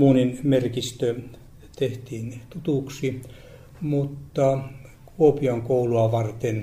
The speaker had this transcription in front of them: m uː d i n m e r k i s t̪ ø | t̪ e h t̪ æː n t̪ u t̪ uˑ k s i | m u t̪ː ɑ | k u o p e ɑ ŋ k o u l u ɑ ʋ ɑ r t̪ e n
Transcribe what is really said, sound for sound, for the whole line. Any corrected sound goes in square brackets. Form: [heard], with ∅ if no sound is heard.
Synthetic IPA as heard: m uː [n] i n m e r k i s t̪ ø | t̪ e h t̪ [iː] n t̪ u t̪ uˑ k s i | m u t̪ː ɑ | k u o p [i] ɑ ŋ k o u l u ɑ ʋ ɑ r t̪ e n